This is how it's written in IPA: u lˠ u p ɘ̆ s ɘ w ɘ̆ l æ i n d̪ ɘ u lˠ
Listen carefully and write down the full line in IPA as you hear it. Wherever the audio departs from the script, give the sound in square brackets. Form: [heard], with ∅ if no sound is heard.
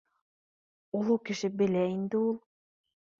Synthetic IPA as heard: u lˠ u [k] ɘ̆ [ʃ] ɘ [b] ɘ̆ l æ i n d̪ ɘ u lˠ